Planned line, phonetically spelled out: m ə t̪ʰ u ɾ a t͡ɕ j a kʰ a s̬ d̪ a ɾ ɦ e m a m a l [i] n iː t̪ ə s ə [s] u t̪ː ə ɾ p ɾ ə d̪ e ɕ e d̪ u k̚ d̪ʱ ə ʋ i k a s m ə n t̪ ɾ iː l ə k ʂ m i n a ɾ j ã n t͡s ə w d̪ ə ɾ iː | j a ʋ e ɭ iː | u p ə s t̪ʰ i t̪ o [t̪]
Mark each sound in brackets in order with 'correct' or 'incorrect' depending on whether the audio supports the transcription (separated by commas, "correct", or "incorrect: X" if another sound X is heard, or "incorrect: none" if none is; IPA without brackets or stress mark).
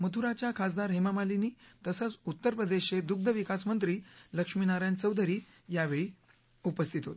correct, incorrect: t͡s, correct